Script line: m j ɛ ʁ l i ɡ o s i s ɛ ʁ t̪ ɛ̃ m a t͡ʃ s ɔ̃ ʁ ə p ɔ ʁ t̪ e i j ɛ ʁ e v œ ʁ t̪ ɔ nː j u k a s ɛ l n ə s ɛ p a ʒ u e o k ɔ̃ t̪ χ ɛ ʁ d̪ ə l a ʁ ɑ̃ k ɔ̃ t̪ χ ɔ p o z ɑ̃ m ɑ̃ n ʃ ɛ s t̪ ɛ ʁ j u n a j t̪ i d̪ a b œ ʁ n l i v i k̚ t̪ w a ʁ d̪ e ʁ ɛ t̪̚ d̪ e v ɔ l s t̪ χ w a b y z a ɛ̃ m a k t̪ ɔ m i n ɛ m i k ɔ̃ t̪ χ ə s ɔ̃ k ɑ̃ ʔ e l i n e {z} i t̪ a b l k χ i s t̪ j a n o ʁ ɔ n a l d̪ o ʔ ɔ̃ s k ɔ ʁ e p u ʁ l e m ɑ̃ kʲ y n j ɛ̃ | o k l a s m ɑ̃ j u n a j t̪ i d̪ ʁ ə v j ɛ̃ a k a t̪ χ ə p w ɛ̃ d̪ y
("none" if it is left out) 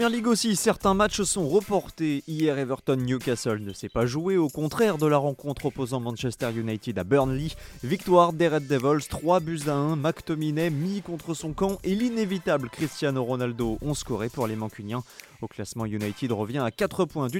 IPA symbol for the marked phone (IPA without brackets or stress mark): v